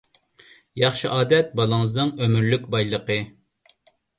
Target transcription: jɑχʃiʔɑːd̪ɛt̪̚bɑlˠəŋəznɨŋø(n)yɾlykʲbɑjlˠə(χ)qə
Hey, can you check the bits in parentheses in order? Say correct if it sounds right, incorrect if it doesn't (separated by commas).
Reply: incorrect, incorrect